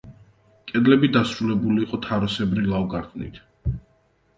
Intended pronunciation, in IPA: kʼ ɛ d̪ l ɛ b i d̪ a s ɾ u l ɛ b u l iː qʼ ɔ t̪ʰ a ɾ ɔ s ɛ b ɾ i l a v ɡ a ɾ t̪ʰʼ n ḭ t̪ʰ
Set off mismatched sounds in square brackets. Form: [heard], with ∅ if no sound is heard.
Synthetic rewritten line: kʼ ɛ d̪ l ɛ b i d̪ a s ɾ u l ɛ b u l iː qʼ ɔ t̪ʰ a ɾ ɔ s ɛ b ɾ i l a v ɡ a ɾ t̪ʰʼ n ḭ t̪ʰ